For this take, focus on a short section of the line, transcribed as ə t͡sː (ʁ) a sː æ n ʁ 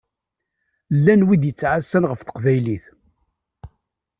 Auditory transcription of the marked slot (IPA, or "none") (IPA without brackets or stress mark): ʕ